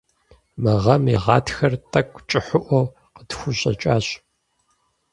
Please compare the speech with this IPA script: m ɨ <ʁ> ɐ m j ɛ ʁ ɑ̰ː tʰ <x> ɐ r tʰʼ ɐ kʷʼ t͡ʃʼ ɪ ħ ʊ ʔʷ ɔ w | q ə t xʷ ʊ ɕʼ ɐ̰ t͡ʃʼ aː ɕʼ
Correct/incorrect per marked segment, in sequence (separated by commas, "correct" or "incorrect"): correct, correct